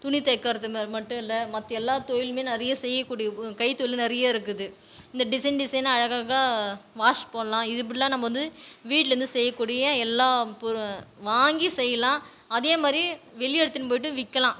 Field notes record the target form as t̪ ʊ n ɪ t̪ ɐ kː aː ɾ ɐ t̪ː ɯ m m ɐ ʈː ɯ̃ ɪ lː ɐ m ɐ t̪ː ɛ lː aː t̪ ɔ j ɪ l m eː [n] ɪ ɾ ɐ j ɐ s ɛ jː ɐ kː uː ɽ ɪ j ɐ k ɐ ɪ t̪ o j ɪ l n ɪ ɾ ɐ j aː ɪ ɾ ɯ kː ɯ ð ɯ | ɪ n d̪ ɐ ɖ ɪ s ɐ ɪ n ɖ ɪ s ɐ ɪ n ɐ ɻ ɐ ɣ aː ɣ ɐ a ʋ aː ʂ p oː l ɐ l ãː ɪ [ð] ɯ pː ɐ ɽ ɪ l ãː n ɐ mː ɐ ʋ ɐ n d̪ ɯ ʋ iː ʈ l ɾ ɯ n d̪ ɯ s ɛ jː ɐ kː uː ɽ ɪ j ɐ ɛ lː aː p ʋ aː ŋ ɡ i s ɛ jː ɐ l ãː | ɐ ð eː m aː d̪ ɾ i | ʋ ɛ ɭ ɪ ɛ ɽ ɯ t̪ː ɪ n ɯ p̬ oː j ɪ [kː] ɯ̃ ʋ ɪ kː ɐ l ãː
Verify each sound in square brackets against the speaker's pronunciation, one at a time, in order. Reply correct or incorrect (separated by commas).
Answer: correct, correct, incorrect